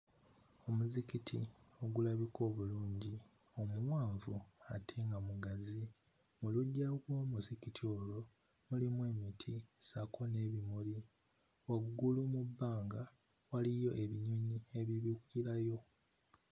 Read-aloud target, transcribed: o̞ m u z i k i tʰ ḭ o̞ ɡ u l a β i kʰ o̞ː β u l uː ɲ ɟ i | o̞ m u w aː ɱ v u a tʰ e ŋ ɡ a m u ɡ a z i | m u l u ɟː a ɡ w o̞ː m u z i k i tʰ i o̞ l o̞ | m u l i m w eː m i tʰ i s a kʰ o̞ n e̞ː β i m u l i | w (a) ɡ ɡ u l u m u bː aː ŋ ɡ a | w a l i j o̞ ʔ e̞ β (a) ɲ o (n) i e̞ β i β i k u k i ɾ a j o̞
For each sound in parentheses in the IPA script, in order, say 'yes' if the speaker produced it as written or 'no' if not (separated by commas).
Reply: yes, no, no